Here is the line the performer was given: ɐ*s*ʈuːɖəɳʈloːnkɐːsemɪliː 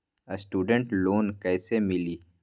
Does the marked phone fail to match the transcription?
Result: no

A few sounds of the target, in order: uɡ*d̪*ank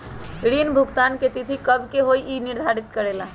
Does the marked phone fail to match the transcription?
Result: yes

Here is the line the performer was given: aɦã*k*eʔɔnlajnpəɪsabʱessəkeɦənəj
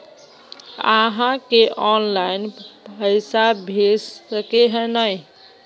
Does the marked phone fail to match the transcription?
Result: no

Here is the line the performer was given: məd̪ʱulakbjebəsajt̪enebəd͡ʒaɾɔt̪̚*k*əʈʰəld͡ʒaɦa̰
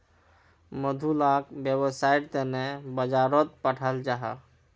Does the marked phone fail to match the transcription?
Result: yes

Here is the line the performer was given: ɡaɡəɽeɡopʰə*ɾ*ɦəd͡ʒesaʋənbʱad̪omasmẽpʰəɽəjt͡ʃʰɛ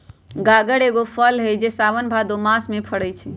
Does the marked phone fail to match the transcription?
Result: yes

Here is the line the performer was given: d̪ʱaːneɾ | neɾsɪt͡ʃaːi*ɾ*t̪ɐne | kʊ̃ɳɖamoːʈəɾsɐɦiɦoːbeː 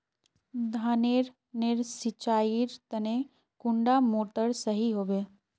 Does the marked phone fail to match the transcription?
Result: no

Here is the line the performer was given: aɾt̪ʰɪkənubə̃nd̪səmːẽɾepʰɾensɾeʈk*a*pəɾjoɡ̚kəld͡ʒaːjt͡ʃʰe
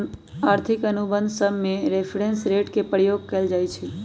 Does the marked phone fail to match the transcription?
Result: yes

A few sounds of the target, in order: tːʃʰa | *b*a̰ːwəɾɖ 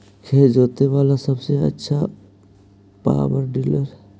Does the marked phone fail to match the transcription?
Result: yes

